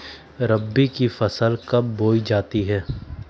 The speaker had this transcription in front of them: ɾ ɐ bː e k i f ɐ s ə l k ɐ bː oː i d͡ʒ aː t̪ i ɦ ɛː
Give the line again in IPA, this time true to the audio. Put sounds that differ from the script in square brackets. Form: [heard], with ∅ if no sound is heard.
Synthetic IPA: ɾ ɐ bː [i] k i f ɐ s ə l k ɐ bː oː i d͡ʒ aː t̪ i ɦ ɛː